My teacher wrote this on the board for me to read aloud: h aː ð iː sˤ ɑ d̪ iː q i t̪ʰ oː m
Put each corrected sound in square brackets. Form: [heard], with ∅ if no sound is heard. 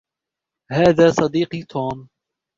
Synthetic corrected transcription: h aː ð [aː] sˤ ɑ d̪ iː q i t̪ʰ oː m